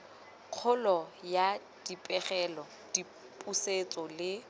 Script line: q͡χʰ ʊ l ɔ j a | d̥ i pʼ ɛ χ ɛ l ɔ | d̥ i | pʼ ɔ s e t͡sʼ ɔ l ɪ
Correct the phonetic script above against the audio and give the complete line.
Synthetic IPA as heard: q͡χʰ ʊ l ɔ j a | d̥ i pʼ ɛ χ ɛ l ɔ | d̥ i | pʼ u s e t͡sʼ ɔ l ɪ